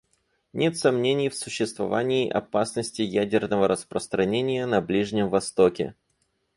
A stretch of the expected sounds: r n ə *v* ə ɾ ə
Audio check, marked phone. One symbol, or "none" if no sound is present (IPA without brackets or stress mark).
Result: v